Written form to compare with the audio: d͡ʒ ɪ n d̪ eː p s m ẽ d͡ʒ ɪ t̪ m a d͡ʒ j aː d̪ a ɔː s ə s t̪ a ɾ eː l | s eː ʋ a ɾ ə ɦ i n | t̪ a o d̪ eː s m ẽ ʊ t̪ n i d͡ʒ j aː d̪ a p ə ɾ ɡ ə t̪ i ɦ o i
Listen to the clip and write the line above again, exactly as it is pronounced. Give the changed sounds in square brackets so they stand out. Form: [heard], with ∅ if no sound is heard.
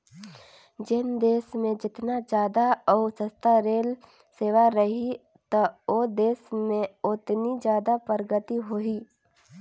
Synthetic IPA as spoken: d͡ʒ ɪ n d̪ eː [∅] s m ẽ d͡ʒ ɪ t̪ [n] a d͡ʒ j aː d̪ a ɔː s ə s t̪ a ɾ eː l | s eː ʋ a ɾ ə ɦ i [∅] | t̪ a o d̪ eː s m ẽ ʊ t̪ n i d͡ʒ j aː d̪ a p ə ɾ ɡ ə t̪ i ɦ o i